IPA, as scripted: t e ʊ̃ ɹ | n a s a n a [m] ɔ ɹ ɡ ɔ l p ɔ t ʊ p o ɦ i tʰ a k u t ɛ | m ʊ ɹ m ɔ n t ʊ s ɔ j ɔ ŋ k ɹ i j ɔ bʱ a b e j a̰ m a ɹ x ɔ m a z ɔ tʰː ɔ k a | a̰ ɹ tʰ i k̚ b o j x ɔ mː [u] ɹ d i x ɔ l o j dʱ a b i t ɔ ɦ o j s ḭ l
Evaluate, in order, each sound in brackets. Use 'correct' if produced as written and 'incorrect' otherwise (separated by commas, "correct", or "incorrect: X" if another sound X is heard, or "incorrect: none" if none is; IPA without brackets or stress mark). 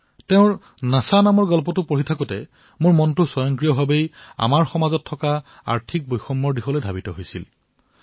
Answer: correct, incorrect: ɔ